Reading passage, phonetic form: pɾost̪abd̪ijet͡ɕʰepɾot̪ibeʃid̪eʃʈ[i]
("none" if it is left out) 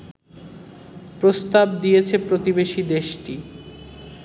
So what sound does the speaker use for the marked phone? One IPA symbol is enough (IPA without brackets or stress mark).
i